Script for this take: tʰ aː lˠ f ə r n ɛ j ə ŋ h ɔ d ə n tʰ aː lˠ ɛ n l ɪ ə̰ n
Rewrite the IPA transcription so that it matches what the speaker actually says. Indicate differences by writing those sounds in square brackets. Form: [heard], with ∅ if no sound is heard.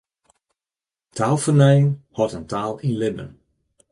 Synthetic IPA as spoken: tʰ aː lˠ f ə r n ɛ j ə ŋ h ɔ [t] ə n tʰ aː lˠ [i] n l ɪ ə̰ n